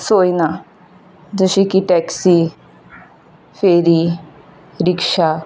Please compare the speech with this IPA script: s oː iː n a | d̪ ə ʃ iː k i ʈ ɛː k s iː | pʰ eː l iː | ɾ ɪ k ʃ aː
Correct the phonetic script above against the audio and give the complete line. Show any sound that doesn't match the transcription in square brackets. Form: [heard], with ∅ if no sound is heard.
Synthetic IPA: s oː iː n a | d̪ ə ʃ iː k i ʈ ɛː k s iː | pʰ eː [ɾ] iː | ɾ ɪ k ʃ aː